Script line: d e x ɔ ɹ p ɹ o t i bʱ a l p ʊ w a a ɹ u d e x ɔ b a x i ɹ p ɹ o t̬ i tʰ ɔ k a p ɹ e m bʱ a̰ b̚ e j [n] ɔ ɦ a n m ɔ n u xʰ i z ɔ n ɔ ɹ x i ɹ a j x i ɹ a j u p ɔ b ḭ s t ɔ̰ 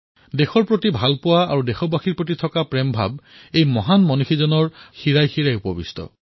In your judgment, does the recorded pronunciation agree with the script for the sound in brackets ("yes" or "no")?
no